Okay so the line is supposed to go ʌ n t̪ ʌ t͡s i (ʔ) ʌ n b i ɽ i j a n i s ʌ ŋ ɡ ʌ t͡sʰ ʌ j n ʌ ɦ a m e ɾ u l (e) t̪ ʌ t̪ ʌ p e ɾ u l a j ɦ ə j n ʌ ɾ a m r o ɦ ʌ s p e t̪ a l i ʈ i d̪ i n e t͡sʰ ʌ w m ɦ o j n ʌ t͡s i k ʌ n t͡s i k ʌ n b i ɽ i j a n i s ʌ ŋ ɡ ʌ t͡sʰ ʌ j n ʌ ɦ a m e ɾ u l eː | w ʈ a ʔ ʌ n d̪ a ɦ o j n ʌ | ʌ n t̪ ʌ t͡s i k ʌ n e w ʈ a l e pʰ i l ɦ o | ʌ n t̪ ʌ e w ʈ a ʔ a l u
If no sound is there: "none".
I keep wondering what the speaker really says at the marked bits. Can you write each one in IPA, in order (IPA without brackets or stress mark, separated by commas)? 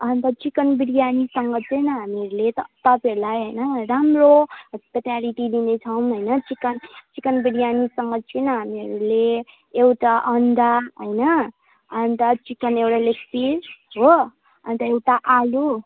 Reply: k, e